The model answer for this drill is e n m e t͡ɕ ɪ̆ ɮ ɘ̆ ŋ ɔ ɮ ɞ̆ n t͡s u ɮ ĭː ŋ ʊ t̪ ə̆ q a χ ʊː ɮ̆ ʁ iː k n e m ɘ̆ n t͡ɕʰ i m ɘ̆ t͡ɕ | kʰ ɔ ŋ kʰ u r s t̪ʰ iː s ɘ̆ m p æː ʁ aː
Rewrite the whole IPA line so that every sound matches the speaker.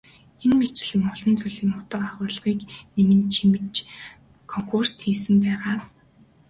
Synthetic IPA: e n m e t͡ɕ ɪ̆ ɮ ɘ̆ ŋ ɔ ɮ ɞ̆ n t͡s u ɮ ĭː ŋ ʊ t̪ ə̆ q a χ ʊː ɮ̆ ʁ iː k n e m ɘ̆ n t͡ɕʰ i m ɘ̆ t͡ɕ | kʰ ɔ ŋ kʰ u r s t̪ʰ iː s ɘ̆ m p æː ʁ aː